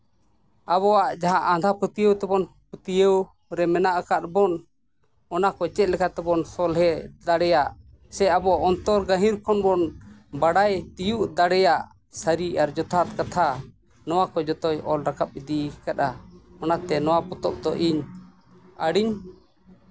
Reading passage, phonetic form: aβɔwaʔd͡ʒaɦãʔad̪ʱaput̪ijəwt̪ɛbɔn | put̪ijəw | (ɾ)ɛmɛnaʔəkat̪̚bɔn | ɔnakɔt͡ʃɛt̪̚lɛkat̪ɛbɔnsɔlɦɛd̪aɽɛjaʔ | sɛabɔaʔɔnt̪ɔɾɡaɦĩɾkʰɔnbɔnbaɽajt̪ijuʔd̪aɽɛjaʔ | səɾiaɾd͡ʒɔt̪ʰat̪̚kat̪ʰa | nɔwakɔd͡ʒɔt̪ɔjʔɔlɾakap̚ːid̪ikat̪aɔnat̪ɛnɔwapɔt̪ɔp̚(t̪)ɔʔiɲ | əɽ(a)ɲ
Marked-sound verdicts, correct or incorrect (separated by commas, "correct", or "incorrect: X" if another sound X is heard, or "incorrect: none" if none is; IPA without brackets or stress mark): correct, incorrect: d̪, incorrect: i